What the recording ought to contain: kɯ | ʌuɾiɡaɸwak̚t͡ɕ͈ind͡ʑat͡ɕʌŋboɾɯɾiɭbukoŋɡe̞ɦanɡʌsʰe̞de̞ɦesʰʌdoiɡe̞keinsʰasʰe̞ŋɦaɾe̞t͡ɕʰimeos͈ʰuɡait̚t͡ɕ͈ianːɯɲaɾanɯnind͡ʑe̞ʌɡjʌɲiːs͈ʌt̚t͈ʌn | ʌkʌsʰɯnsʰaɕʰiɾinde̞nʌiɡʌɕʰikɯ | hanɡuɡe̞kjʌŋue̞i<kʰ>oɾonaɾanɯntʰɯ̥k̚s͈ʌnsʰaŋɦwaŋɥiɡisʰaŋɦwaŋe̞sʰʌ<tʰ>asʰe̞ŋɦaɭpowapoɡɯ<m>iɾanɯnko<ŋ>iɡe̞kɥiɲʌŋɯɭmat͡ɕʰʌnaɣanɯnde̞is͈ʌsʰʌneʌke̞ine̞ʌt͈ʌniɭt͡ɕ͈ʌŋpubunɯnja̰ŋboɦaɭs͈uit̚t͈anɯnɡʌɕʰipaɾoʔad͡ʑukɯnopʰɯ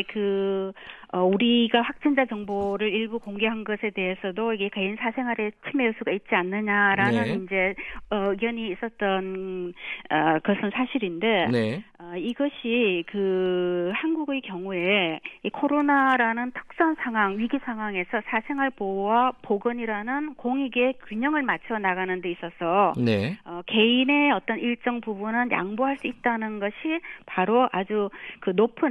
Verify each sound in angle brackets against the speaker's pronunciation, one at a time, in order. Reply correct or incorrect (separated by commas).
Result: correct, incorrect, incorrect, correct